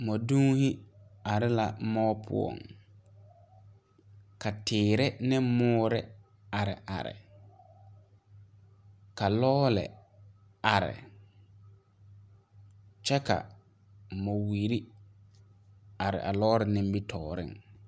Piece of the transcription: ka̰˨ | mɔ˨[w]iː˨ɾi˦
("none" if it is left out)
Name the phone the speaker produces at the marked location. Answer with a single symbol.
w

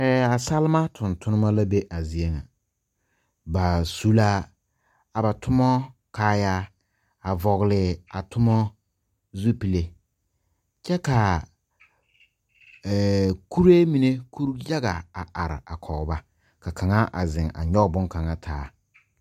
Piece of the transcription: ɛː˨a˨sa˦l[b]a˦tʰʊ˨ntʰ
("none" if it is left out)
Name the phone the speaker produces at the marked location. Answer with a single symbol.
m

